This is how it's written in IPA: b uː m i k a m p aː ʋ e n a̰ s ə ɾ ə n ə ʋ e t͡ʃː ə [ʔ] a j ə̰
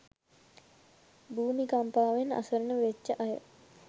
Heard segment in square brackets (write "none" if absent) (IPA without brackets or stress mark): ʔ